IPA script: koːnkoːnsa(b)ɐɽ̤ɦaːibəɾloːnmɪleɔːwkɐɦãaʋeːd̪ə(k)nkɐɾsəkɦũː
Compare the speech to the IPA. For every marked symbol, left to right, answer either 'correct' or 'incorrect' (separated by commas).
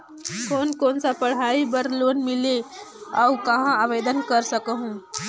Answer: incorrect, incorrect